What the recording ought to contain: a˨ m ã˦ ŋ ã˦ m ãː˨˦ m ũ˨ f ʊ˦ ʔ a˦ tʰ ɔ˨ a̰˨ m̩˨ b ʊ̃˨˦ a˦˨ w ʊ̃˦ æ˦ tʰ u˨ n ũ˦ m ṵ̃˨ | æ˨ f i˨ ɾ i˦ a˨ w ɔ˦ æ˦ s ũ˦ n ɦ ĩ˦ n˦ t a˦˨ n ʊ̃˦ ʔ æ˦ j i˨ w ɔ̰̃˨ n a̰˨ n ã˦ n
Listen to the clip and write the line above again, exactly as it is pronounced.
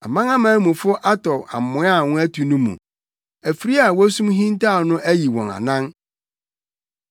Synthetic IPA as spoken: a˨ m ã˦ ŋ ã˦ m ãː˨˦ m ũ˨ f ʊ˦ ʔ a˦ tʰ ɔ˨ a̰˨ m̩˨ m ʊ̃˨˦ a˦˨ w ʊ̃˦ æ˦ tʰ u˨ n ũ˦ m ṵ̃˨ | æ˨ f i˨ ɾ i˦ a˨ w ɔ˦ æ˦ s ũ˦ m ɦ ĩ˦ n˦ t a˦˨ n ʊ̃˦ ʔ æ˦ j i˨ w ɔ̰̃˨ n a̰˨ n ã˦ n